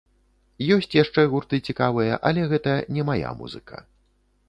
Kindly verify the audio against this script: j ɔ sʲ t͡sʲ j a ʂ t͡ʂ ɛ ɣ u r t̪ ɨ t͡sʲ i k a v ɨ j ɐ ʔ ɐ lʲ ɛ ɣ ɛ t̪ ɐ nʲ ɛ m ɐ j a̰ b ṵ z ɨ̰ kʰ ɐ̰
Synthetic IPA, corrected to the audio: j ɔ sʲ t͡sʲ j a ʂ t͡ʂ ɛ ɣ u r t̪ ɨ t͡sʲ i k a v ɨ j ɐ ʔ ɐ lʲ ɛ ɣ ɛ t̪ ɐ nʲ ɛ m a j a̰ m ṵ z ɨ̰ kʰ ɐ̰